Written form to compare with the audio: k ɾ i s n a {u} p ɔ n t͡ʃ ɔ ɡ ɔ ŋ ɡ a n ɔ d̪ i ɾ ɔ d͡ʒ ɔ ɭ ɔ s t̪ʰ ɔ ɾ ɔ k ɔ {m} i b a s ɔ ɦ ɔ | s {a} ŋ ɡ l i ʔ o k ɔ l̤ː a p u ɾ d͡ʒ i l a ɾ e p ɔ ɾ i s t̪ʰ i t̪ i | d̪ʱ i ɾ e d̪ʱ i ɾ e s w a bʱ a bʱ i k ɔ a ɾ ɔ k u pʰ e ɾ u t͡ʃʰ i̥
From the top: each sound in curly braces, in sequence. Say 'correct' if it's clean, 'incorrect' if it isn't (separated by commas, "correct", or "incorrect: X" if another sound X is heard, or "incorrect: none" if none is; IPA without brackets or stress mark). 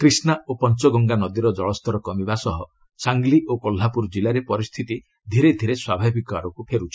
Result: incorrect: o, correct, correct